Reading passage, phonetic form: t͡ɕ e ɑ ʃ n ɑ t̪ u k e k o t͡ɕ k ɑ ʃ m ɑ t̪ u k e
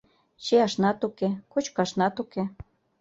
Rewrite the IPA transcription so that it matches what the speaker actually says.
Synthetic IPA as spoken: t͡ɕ e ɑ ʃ n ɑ t̪ u k e k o t͡ɕ k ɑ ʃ n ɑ t̪ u k e